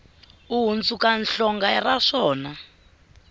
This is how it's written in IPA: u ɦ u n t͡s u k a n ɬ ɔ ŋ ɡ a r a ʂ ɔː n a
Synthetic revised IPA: u ɦ u n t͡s u k a n ɬ ɔ ŋ ɡ a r a ʂ ɔː n a